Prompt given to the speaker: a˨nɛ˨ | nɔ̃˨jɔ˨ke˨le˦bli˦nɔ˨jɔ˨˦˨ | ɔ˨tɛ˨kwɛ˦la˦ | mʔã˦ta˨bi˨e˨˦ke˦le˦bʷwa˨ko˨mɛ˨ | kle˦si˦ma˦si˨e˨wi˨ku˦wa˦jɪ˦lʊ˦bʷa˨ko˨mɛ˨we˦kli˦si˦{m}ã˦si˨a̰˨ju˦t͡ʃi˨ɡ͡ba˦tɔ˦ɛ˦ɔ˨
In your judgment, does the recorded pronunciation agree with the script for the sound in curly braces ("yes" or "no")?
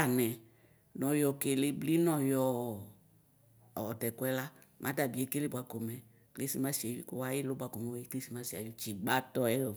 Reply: yes